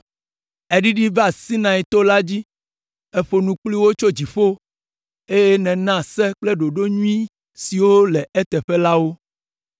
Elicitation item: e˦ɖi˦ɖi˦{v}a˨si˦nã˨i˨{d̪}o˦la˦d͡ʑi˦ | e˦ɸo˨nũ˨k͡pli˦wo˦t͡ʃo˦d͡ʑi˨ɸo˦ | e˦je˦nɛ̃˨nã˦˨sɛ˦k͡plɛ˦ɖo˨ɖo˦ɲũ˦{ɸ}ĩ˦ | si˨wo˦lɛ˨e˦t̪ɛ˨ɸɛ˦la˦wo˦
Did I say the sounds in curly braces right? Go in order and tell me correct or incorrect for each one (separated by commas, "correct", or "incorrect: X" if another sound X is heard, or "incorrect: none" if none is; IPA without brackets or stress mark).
correct, incorrect: t̪, incorrect: none